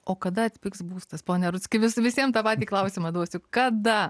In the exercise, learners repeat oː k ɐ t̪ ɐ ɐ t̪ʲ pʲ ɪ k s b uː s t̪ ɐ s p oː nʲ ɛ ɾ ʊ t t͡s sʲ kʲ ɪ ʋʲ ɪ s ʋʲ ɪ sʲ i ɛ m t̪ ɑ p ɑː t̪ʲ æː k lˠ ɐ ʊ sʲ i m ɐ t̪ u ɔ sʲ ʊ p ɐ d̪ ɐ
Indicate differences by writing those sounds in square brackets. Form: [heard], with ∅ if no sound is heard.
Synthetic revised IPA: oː k ɐ [d̪] ɐ ɐ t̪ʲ pʲ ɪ k s b uː s t̪ ɐ s p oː nʲ ɛ ɾ ʊ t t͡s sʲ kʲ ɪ ʋʲ ɪ s ʋʲ ɪ sʲ i ɛ m t̪ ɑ p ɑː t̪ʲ [iː] k lˠ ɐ ʊ sʲ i m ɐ [d̪] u ɔ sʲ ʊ [k] ɐ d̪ ɐ